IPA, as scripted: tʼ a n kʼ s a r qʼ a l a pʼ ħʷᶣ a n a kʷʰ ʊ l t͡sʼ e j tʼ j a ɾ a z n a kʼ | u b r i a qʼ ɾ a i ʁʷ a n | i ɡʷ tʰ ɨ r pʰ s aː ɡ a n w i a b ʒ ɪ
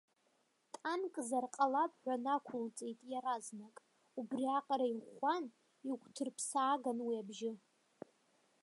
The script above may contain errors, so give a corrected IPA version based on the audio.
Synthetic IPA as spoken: tʼ a n kʼ z a r qʼ a l a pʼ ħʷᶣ a n a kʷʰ ʊ l t͡sʼ e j tʼ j a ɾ a z n a kʼ | u b r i a qʼ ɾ a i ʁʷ a n | i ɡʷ tʰ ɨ r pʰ s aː ɡ a n w i a b ʒ ɪ